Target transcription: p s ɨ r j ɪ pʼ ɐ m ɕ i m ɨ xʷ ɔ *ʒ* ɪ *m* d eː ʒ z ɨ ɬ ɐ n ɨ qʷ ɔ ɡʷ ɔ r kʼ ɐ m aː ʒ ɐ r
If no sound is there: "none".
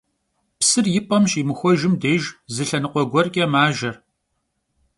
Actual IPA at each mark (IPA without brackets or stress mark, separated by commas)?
ʒ, m